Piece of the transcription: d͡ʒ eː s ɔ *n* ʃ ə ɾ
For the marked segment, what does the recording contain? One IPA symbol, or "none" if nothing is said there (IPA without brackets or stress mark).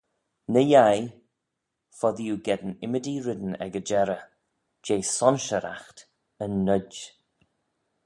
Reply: n